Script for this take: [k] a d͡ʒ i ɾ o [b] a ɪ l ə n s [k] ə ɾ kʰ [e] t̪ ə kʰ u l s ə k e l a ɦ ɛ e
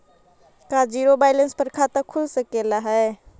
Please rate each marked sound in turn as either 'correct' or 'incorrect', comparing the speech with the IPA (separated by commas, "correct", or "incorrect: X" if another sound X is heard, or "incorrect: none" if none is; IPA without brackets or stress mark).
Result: correct, correct, incorrect: p, incorrect: a